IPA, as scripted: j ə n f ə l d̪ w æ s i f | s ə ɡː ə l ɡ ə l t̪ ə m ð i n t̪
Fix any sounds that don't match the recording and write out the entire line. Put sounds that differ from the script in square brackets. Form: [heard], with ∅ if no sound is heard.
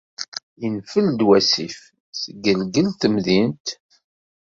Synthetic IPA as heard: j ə n f ə l d̪ w æ s i f | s ə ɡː ə l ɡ ə l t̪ ə m ð i n t̪